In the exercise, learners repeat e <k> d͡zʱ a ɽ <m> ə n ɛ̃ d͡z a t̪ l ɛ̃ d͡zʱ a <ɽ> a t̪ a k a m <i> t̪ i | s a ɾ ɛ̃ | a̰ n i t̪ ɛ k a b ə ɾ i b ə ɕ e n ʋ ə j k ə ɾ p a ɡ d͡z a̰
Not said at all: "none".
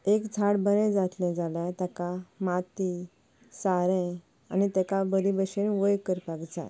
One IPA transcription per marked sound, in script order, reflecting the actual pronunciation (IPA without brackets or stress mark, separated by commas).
k, b, l, a